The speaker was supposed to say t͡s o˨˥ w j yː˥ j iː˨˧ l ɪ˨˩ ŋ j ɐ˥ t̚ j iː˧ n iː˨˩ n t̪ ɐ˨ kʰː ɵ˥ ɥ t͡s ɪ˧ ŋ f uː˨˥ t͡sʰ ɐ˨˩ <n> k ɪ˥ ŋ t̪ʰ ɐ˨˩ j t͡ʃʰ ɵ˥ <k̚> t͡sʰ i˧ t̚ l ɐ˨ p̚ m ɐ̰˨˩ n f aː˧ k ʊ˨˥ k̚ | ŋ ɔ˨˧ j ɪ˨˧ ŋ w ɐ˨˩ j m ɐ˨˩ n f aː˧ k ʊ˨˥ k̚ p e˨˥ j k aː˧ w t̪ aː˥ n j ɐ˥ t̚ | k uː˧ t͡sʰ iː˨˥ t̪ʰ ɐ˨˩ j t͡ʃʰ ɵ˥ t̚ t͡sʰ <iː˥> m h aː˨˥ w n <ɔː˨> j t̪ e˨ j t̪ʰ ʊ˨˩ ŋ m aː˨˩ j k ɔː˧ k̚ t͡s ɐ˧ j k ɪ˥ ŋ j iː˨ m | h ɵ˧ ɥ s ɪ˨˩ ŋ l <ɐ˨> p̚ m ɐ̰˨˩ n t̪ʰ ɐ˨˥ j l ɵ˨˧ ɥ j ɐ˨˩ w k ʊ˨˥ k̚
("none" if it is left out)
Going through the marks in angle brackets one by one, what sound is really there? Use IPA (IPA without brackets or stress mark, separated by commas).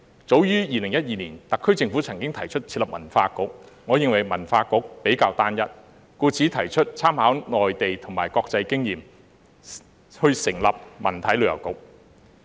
ŋ, t̚, aː˥, ɔː˨, ɐ˨